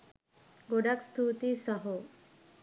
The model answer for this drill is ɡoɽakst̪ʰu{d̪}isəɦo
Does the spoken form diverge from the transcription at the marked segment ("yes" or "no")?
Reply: yes